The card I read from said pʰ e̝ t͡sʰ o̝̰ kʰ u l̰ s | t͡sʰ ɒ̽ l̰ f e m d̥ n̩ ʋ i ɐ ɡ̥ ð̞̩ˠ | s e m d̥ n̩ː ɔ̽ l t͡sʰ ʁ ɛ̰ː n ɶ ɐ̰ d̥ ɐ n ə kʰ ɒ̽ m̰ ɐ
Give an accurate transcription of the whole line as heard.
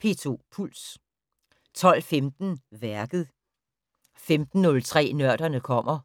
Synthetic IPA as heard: pʰ e̝ t͡sʰ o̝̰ pʰ u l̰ s | t͡sʰ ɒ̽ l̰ f e m d̥ n̩ ʋ æ ɐ ɡ̥ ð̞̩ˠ | f e m d̥ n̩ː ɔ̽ l t͡sʰ ʁ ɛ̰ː n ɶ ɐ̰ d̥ ɐ n ə kʰ ɒ̽ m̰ ɐ

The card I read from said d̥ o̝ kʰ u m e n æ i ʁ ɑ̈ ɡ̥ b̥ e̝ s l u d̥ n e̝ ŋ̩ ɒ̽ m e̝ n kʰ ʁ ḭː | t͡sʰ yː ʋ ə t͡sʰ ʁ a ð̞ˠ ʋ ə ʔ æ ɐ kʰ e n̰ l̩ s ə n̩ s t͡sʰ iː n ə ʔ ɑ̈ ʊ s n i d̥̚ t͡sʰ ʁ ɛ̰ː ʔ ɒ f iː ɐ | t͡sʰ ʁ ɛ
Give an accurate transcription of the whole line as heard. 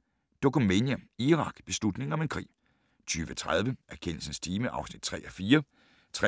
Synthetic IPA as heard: d̥ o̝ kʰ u m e n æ i ʁ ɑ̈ ɡ̥ b̥ e̝ s l u d̥ n e̝ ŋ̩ ɒ̽ m e̝ n kʰ ʁ ḭː | t͡sʰ yː ʋ ə t͡sʰ ʁ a ð̞ˠ ʋ ə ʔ æ ɐ kʰ e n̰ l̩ s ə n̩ s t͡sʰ iː m ə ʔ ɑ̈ ʊ s n i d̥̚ t͡sʰ ʁ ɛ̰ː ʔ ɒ f iː ɐ | t͡sʰ ʁ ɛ

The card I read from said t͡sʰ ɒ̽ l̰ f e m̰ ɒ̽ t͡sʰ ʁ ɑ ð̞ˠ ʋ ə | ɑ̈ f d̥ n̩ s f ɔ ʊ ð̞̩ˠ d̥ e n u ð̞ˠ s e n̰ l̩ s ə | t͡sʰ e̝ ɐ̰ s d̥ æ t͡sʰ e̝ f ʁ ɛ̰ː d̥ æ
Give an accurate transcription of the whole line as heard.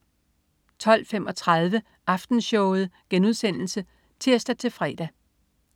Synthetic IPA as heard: t͡sʰ ɒ̽ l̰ f e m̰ ɒ̽ t͡sʰ ʁ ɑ ð̞ˠ ʋ ə | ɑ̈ f d̥ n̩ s ɕ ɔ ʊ ð̞̩ˠ ɡ̥ e n u ð̞ˠ s e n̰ l̩ s ə | t͡sʰ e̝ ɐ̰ s d̥ æ t͡sʰ e̝ f ʁ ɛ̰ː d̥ æ

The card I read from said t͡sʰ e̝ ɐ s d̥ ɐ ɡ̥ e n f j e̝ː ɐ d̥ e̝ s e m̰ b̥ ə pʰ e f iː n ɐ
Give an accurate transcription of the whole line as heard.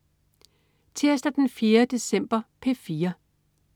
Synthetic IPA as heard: t͡sʰ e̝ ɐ s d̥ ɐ d̥ e n f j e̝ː ɐ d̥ e̝ s e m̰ b̥ ɐ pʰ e f iː ɐ

